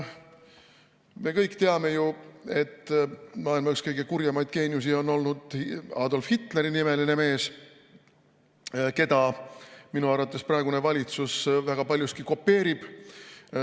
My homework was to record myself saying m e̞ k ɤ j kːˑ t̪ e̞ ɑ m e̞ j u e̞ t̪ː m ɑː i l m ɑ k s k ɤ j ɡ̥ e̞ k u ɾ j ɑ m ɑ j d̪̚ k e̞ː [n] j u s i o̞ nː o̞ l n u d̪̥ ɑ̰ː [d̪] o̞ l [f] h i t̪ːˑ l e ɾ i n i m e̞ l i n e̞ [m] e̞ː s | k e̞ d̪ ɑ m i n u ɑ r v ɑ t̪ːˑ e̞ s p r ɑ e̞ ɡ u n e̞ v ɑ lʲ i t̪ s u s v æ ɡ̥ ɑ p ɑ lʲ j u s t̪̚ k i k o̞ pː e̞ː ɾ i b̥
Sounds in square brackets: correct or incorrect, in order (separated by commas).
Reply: correct, correct, correct, correct